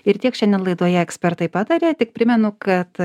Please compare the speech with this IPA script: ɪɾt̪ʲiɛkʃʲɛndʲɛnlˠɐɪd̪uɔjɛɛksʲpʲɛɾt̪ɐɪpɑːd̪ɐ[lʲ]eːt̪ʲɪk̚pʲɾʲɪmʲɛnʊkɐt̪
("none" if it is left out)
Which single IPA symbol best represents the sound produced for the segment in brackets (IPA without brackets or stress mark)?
ɾʲ